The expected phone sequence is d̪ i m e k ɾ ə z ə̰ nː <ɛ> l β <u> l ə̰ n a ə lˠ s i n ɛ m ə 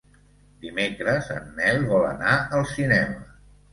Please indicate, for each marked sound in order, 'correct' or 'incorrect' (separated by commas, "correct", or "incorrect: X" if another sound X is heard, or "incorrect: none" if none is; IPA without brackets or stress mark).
correct, incorrect: ɔ